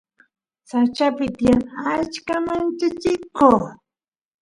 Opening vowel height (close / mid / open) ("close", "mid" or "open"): open